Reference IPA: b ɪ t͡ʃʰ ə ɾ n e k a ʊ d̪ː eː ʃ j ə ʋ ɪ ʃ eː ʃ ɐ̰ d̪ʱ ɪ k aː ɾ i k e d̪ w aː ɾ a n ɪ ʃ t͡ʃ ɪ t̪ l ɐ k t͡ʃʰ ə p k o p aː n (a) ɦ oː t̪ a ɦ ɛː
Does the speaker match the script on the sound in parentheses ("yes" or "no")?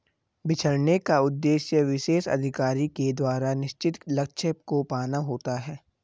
yes